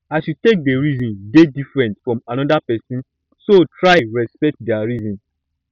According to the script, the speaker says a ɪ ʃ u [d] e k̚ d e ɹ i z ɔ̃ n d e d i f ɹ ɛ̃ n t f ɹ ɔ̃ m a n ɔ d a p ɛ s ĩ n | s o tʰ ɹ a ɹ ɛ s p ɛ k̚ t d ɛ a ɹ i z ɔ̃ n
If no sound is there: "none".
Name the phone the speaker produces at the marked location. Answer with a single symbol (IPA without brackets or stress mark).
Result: t